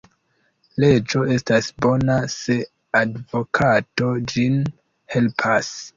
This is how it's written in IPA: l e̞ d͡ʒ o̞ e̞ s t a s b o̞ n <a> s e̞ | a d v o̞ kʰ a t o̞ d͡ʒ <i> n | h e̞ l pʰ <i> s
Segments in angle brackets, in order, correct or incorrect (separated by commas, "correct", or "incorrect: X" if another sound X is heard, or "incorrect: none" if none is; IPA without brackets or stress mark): correct, correct, incorrect: a